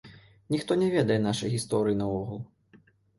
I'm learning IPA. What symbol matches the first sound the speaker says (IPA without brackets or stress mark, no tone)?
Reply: nʲ